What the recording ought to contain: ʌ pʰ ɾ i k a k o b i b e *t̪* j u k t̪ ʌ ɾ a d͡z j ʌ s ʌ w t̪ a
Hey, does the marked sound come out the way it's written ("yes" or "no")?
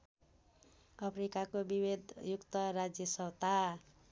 no